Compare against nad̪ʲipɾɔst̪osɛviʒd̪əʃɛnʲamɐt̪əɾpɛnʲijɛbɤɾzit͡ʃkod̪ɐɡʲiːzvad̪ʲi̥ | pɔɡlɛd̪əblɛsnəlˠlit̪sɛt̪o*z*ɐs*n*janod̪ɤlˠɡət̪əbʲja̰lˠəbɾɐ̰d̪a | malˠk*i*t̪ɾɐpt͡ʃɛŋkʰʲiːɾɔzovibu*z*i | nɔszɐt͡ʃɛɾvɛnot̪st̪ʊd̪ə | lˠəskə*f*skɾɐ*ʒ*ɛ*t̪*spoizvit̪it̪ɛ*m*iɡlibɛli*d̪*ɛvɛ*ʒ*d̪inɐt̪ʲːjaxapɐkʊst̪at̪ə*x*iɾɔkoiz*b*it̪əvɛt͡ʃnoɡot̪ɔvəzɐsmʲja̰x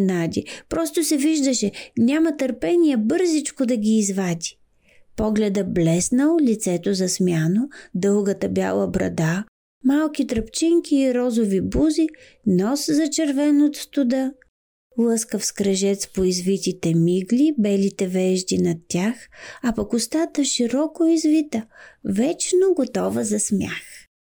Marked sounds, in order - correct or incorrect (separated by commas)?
correct, incorrect, correct, correct, correct, correct, correct, correct, incorrect, correct, incorrect, incorrect